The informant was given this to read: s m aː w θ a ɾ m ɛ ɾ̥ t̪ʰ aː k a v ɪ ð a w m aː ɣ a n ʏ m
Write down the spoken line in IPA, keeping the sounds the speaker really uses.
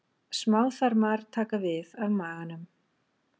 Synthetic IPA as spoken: s m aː w θ a ɾ m a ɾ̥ t̪ʰ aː k a v ɪ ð a v m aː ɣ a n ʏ m